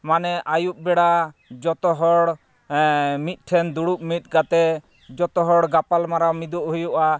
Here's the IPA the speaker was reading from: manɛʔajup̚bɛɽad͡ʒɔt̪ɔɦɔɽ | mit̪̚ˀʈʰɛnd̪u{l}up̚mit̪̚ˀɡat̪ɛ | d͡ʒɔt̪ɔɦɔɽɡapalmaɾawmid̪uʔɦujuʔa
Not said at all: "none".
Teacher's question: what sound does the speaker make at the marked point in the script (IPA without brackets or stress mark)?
ɽ